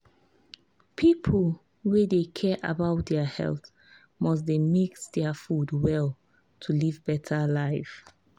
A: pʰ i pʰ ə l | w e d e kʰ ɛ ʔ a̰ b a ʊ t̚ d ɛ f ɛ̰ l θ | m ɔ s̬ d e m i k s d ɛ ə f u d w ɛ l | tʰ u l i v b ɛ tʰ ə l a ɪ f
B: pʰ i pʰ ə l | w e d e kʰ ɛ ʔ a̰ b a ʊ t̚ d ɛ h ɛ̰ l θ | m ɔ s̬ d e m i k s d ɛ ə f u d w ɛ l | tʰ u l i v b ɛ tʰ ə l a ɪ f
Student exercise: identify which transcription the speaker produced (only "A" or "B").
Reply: B